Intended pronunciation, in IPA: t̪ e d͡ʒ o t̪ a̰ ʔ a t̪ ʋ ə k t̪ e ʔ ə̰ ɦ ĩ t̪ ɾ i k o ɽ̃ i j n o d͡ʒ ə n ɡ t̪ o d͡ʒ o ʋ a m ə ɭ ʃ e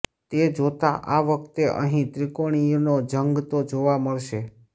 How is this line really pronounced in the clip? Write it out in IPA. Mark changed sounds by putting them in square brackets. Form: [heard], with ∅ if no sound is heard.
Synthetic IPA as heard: t̪ e d͡ʒ o t̪ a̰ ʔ a [∅] ʋ ə k t̪ e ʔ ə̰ ɦ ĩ t̪ ɾ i k o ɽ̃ i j n o d͡ʒ ə [ŋ] ɡ t̪ o d͡ʒ o ʋ a m ə ɭ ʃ e